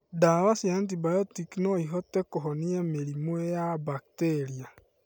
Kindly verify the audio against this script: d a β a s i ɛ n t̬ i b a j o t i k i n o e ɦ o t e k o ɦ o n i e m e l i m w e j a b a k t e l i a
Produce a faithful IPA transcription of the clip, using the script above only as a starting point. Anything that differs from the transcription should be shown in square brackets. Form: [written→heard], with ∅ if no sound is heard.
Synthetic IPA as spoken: d a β a s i [ɛ→a] n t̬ i b a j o t i k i n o [e→i] ɦ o t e k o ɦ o n i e m e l i m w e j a b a k t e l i a